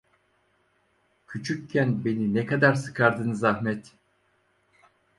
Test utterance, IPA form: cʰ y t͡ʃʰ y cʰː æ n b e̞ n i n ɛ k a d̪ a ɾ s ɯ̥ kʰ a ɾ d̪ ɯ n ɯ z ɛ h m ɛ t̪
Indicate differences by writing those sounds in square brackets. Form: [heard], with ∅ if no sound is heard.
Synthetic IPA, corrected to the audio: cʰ y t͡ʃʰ y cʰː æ n b e̞ n i n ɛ k a d̪ a ɾ s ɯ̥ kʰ a ɾ d̪ ɯ n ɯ z [a] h m ɛ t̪